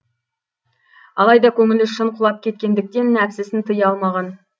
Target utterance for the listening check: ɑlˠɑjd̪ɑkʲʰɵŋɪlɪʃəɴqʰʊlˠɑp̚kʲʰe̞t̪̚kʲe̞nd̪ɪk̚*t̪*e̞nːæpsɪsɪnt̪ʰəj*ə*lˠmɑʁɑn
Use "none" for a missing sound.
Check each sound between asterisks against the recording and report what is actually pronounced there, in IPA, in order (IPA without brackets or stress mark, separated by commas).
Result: t̪, ɑ